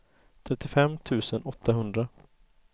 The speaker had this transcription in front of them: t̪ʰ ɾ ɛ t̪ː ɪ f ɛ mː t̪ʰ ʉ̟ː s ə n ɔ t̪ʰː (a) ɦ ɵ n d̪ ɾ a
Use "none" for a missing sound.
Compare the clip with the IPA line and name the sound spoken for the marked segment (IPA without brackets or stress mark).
a